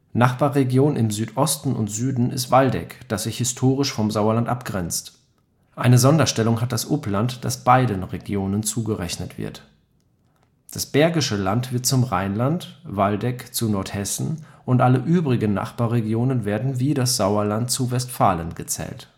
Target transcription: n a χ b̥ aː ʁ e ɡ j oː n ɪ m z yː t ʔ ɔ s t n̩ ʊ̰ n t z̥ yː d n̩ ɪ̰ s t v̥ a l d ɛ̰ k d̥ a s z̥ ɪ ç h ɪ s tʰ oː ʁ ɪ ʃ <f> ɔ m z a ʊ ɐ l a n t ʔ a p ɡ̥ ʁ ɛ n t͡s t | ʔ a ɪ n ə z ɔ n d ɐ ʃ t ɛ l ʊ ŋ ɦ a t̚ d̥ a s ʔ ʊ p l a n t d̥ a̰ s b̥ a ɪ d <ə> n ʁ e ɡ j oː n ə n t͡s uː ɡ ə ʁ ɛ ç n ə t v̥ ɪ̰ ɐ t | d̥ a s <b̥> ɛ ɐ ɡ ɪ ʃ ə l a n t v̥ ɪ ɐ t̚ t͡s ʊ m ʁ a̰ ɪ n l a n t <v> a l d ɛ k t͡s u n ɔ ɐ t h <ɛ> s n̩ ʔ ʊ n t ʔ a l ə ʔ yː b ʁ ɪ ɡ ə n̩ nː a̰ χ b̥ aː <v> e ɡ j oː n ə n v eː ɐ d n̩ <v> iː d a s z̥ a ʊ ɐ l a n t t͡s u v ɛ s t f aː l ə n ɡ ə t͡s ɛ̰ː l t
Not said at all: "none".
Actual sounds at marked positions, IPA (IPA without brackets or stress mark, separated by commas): f, ə, b̥, v, ɛ, ʁ, v